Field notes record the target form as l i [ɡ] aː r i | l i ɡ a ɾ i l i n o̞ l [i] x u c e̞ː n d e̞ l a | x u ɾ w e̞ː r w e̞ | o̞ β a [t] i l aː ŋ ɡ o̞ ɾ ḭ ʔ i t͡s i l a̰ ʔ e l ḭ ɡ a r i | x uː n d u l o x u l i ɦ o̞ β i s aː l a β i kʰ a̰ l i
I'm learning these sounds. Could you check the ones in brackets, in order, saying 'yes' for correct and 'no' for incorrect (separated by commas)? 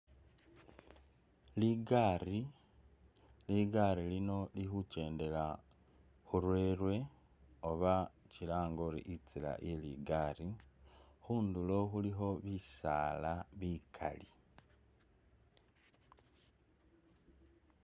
yes, yes, no